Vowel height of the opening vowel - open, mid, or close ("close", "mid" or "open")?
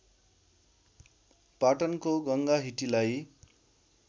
open